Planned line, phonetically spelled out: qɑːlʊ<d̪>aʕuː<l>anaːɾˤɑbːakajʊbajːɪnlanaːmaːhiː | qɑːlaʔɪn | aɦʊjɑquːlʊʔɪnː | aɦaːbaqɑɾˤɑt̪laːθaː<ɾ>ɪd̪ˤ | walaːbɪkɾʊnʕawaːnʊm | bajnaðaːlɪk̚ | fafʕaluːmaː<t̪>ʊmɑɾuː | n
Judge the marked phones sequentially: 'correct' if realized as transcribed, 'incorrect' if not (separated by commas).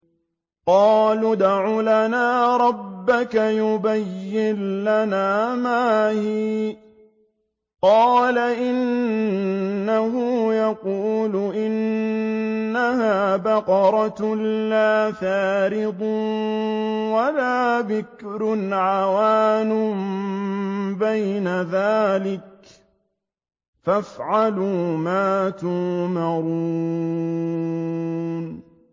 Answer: correct, correct, correct, correct